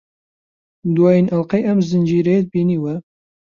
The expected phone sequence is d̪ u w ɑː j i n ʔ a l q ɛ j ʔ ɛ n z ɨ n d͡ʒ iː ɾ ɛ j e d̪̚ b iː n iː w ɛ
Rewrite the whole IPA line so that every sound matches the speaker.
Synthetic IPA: d̪ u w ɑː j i n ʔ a l q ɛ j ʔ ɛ m z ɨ n d͡ʒ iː ɾ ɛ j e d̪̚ b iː n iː w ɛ